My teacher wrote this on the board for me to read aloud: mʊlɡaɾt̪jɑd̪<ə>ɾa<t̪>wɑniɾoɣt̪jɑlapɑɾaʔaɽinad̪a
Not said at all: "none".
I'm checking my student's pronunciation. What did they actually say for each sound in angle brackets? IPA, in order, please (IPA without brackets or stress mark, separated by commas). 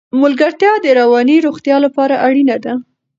ə, none